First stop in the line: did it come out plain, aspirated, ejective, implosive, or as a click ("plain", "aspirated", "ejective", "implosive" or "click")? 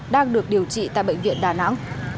implosive